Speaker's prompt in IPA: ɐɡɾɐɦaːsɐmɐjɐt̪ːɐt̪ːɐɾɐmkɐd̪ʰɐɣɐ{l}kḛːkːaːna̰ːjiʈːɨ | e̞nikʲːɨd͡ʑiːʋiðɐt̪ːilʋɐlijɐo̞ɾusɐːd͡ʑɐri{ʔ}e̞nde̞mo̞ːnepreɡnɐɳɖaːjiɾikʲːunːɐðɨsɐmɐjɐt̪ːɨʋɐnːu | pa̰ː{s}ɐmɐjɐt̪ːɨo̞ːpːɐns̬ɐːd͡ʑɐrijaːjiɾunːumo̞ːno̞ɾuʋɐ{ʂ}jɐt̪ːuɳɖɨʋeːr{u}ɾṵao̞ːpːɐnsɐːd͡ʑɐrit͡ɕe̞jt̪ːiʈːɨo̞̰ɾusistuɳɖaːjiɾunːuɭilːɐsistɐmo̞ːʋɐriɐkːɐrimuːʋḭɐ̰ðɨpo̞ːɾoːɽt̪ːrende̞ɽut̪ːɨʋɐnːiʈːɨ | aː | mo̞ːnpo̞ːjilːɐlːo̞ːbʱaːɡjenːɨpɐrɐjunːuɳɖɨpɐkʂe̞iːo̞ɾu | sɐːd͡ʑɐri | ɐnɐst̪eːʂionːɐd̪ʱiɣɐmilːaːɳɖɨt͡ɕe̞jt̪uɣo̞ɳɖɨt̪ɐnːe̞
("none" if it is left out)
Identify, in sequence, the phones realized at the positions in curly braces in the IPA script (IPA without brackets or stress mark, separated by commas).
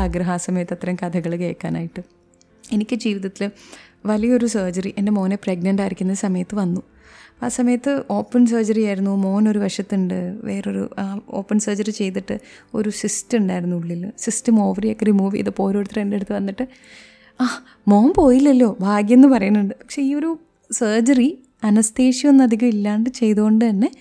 ɭ, ʔ, s, ʂ, o